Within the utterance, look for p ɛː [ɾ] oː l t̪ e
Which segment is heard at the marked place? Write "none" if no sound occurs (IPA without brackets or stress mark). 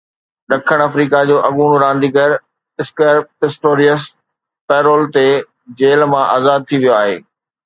ɾ